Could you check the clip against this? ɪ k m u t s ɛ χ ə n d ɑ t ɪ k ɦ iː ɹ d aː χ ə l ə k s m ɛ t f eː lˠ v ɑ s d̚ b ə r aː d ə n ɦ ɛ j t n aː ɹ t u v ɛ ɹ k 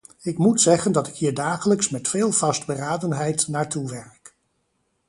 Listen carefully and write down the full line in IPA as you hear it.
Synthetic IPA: ɪ k m u t s ɛ χ ə n d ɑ t ɪ k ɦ iː ɹ d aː χ ə l ə k s m ɛ t f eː lˠ v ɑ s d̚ b ə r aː d ə n ɦ ɛ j t n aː ɹ t u ʋ ɛ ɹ k